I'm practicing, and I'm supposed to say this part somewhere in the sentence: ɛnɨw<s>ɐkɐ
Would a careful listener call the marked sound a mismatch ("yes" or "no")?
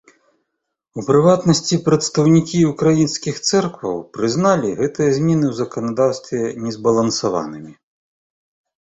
yes